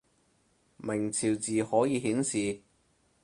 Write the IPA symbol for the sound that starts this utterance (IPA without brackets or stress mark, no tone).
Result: m